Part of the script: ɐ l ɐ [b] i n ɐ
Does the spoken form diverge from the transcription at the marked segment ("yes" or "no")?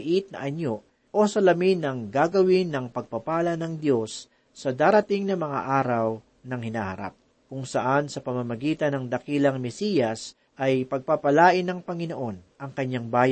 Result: yes